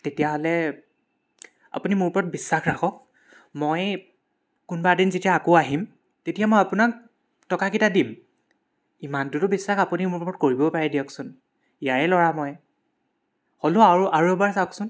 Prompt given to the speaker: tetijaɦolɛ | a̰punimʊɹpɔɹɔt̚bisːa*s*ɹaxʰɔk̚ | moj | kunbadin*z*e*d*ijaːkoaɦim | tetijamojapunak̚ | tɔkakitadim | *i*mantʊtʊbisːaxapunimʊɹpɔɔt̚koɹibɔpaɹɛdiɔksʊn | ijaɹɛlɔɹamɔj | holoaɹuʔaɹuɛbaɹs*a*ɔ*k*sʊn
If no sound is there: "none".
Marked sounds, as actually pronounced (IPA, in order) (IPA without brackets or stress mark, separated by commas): x, z, t, i, a, k